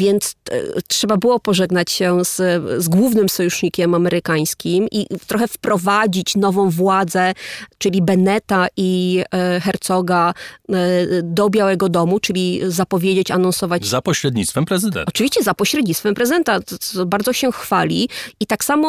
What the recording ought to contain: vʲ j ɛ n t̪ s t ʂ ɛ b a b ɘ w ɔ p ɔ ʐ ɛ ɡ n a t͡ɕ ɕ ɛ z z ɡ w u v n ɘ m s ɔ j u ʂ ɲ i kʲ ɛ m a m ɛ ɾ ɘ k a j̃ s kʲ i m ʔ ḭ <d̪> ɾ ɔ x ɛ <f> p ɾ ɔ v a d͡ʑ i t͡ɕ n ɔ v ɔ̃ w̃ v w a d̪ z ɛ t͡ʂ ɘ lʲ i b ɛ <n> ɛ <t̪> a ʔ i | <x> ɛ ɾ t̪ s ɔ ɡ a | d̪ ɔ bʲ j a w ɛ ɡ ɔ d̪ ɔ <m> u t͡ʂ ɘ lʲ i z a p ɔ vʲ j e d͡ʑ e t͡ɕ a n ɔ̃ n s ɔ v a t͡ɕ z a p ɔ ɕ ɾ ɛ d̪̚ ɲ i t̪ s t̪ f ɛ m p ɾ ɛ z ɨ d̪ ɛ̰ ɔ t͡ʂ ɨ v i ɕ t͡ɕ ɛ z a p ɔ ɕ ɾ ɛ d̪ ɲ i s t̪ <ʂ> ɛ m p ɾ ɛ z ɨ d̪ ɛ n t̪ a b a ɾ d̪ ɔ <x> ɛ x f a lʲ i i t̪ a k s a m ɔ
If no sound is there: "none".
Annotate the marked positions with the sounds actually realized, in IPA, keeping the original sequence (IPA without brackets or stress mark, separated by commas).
t̪, f, n, t̪, x, m, f, ɕ